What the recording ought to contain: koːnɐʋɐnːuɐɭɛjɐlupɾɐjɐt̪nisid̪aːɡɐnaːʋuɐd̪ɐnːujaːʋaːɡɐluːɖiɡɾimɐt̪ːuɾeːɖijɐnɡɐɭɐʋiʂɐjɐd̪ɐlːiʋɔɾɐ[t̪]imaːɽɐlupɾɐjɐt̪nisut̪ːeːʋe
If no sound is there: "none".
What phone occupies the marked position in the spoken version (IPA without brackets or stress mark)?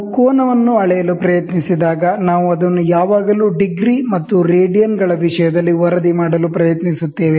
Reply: d̪